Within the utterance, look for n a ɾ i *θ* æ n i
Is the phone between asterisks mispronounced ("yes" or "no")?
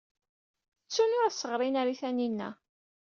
no